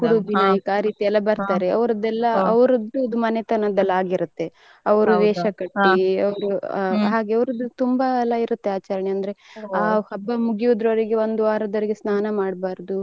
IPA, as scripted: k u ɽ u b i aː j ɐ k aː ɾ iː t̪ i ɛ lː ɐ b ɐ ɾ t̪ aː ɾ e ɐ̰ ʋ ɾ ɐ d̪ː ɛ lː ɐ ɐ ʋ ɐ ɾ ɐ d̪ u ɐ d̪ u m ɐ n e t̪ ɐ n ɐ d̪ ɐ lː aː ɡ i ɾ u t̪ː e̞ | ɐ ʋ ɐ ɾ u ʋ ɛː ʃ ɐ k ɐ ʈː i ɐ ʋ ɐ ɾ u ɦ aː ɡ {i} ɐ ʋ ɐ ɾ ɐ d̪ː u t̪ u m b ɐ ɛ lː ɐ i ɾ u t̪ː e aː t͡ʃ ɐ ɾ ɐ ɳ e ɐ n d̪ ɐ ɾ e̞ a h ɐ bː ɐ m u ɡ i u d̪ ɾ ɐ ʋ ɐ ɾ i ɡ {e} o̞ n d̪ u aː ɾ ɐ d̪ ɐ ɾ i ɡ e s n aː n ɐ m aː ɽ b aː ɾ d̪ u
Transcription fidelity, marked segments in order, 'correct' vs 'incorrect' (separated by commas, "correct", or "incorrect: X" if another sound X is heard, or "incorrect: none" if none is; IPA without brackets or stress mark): incorrect: e, correct